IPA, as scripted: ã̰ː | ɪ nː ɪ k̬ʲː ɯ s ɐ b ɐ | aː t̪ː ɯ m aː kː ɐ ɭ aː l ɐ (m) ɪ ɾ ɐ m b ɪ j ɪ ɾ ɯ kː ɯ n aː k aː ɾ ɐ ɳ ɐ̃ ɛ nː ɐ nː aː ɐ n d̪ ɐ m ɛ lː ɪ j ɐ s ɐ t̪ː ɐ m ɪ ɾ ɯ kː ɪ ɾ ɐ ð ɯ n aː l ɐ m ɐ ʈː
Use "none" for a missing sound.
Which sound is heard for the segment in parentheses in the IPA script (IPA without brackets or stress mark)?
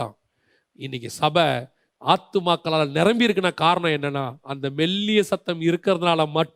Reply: n